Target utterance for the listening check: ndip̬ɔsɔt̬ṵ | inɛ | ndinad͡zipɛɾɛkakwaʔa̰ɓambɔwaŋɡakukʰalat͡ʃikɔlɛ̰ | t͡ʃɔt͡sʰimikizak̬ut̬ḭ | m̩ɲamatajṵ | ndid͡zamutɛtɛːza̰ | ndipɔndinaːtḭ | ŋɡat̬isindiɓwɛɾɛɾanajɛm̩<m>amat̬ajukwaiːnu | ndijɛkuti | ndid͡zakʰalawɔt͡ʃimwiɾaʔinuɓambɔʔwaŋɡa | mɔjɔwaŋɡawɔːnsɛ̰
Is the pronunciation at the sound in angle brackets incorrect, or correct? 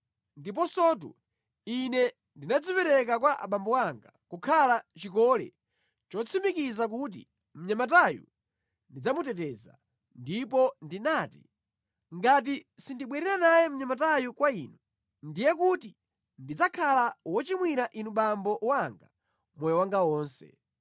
incorrect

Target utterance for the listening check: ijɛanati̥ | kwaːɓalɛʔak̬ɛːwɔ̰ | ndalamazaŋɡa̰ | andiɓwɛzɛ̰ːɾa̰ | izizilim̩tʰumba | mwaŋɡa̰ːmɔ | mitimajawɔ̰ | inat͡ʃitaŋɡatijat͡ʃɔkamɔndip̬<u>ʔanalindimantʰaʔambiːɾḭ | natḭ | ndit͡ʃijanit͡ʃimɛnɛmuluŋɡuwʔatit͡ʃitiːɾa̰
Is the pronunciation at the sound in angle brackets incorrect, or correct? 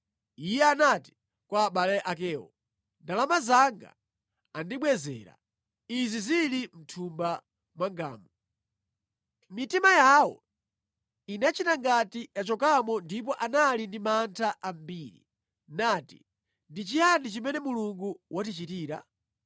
incorrect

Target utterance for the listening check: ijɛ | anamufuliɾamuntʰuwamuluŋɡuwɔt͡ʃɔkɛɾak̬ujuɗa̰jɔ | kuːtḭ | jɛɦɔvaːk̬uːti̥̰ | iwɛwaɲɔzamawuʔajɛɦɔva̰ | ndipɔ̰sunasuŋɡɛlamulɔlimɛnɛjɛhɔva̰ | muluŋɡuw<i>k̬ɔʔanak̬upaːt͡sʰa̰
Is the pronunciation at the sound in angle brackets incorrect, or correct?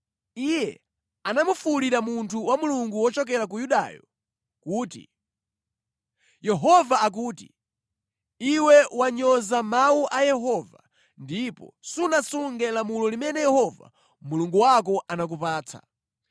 incorrect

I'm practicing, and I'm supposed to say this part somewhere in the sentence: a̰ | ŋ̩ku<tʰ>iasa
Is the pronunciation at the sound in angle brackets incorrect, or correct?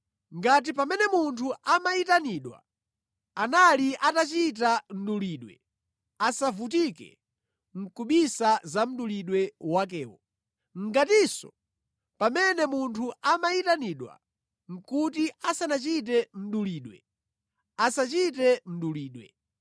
incorrect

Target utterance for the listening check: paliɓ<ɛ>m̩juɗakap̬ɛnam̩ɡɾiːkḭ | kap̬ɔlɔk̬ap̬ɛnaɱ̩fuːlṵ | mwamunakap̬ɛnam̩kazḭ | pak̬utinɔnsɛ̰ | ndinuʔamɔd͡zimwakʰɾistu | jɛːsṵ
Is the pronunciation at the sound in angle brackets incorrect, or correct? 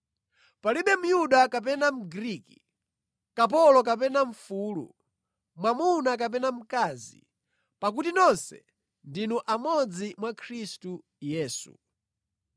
correct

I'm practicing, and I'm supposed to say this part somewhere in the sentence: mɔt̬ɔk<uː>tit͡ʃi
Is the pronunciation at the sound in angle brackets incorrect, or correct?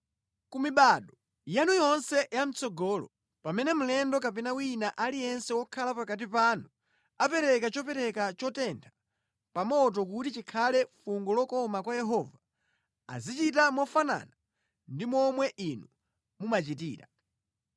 incorrect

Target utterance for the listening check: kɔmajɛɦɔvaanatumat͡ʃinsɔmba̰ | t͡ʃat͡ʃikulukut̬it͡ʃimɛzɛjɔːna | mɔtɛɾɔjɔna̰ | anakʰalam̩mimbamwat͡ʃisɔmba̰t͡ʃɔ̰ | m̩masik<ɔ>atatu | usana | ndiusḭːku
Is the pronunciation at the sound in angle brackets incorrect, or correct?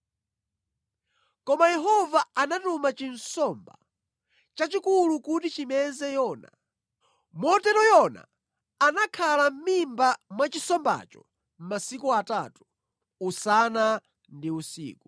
incorrect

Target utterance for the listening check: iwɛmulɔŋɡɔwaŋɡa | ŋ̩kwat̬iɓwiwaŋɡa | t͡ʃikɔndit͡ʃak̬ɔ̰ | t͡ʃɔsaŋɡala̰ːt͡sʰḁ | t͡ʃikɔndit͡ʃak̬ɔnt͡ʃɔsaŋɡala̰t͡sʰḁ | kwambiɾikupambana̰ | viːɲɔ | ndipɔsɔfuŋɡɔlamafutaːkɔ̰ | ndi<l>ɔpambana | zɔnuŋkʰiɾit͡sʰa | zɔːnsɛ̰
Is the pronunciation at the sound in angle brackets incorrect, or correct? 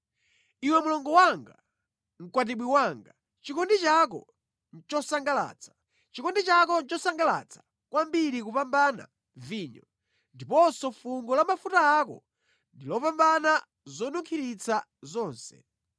correct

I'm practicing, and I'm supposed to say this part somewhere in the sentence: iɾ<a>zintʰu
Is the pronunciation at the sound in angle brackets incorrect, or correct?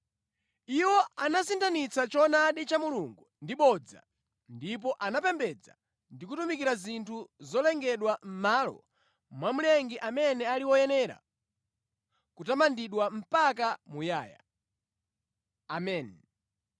correct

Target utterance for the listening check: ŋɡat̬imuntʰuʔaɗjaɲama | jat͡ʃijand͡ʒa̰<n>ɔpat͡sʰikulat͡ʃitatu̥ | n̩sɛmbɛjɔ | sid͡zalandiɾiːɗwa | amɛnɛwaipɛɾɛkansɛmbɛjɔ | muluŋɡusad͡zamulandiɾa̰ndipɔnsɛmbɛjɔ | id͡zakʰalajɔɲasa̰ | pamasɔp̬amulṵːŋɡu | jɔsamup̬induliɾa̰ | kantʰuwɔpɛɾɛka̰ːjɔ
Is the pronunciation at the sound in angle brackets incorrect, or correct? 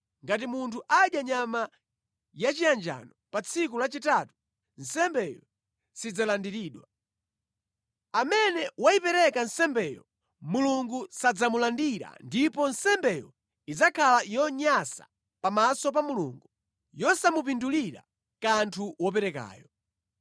correct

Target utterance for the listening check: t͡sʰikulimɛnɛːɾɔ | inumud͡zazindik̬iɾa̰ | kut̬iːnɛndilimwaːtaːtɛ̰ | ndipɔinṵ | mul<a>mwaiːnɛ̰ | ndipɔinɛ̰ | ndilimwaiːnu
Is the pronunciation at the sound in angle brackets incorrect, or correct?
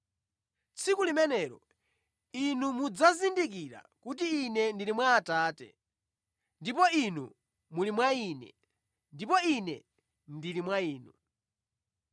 incorrect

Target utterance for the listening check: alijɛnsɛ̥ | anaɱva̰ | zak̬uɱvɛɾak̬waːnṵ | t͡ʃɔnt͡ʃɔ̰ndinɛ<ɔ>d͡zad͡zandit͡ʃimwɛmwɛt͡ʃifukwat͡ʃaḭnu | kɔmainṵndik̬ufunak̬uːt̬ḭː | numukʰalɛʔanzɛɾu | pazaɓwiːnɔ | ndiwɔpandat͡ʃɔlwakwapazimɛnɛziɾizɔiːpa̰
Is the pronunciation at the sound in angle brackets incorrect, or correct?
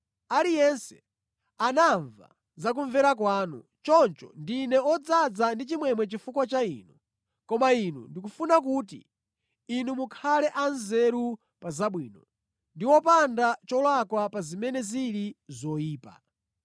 correct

